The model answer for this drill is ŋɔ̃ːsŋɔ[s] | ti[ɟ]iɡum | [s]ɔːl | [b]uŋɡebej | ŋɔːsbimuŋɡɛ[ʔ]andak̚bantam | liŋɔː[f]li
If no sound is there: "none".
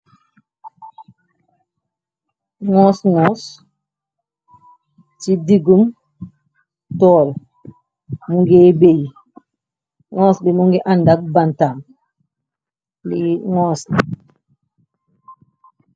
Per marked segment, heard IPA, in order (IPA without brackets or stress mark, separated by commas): s, d, t, m, ʔ, s